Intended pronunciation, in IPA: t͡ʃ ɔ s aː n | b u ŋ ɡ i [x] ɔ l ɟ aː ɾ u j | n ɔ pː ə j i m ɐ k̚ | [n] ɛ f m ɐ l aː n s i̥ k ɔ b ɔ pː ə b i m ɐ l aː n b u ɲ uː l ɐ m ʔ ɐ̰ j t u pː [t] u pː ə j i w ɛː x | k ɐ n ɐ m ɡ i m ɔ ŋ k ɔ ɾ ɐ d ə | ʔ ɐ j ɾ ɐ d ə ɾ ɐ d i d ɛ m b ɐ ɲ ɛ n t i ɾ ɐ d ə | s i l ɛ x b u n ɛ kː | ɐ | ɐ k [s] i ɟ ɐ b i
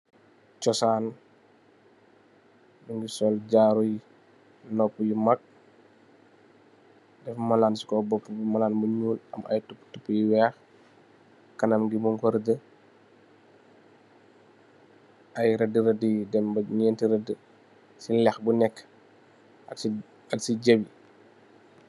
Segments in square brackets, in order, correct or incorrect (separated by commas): incorrect, incorrect, correct, correct